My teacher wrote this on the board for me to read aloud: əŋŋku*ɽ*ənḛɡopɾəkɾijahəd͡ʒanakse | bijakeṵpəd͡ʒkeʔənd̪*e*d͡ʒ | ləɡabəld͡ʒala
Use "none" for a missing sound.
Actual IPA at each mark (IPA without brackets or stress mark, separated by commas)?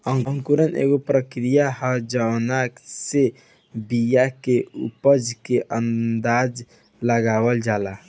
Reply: ɾ, a